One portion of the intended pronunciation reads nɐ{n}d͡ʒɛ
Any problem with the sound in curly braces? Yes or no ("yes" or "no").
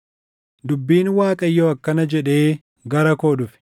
yes